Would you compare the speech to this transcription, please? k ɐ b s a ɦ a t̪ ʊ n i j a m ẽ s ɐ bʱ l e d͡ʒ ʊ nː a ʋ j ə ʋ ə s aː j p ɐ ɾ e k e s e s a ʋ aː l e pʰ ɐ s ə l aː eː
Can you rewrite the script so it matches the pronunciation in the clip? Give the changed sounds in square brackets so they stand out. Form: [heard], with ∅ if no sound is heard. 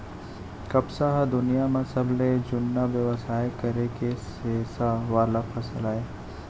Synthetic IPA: k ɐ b s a ɦ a [d̪] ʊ n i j a m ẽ s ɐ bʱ l e d͡ʒ ʊ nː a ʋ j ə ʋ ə s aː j [k] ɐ ɾ e k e s e s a ʋ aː l [a] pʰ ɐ s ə l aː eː